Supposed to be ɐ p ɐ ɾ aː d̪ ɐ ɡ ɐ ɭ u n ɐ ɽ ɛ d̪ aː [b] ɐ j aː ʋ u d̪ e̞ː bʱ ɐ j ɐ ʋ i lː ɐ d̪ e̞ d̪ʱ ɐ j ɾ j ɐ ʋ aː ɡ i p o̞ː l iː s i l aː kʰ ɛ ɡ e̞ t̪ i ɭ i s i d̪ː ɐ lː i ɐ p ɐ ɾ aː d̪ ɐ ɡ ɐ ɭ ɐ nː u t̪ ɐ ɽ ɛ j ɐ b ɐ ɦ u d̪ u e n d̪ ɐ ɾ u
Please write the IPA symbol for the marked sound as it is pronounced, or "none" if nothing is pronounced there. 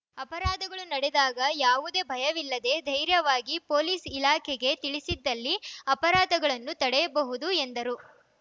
ɡ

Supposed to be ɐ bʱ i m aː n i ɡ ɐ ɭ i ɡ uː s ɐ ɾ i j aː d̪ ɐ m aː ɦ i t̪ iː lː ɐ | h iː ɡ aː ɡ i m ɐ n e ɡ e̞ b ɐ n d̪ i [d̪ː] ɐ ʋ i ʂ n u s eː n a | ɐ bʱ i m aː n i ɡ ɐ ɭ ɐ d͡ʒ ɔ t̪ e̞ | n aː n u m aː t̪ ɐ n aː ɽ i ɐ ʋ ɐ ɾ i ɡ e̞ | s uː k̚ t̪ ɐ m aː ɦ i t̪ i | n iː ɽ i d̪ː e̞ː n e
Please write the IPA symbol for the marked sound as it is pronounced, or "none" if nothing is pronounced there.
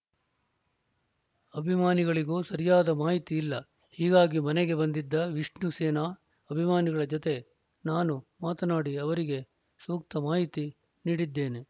d̪ː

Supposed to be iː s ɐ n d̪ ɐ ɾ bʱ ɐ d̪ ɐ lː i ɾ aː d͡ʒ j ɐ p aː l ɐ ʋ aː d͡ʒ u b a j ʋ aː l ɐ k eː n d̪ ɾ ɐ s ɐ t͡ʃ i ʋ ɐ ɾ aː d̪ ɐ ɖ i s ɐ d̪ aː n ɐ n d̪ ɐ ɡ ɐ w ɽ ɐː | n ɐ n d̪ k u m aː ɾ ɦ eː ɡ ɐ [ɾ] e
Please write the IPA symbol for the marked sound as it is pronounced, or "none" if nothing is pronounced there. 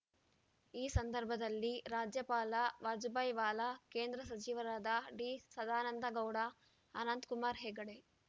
ɽ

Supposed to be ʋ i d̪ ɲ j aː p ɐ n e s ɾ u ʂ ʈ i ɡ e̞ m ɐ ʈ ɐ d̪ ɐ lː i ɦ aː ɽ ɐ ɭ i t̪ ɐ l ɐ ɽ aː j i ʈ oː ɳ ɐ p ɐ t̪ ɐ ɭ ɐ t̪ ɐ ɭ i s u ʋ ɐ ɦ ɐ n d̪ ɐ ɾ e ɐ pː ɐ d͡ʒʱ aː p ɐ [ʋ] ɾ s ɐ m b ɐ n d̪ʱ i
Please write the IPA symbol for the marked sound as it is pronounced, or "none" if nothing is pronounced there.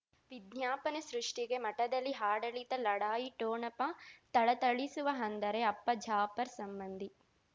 none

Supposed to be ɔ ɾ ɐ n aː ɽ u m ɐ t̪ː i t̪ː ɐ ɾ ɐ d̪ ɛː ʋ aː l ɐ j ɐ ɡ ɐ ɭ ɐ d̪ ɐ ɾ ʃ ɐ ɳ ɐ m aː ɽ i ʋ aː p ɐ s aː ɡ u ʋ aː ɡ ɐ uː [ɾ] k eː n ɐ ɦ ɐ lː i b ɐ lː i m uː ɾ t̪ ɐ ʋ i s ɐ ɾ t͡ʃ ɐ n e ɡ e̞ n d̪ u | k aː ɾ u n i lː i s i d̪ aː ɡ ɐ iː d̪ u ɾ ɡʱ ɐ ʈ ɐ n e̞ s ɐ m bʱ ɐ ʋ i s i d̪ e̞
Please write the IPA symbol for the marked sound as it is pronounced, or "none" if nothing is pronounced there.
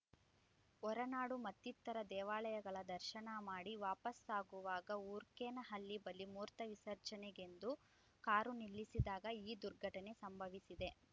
ɾ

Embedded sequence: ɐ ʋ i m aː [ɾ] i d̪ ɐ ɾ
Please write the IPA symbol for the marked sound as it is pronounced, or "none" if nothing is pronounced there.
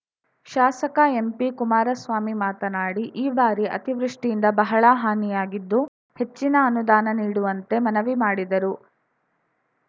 ɽ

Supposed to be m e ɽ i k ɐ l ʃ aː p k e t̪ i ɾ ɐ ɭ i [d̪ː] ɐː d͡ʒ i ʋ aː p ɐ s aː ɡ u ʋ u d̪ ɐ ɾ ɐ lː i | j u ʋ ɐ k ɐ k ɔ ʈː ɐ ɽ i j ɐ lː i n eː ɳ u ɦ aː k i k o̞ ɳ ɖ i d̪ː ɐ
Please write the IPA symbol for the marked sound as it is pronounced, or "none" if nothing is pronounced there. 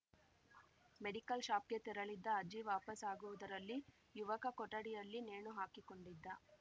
d̪ː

